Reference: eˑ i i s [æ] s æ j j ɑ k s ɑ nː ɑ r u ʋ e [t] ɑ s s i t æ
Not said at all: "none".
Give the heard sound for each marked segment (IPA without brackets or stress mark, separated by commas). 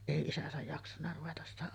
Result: æ, t